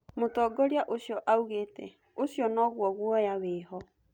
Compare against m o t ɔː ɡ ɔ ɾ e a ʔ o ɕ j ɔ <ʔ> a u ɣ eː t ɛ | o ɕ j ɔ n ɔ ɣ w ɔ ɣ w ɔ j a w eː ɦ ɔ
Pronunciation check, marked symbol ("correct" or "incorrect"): correct